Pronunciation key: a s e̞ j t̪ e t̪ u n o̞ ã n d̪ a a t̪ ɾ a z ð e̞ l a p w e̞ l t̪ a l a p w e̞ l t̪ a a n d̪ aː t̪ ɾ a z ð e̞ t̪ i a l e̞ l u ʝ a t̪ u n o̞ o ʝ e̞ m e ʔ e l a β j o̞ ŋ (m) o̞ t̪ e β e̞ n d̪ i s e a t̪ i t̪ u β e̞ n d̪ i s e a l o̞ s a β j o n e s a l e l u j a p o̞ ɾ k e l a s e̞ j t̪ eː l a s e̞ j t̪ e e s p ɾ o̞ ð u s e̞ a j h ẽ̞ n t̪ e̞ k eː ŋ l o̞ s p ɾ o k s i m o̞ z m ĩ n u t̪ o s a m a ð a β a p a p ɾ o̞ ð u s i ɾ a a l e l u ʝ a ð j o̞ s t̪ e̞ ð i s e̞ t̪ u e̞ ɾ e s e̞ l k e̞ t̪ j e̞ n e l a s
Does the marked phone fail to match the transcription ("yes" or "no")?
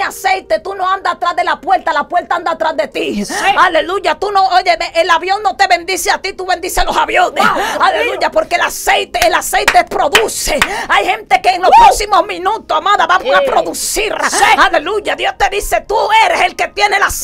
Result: yes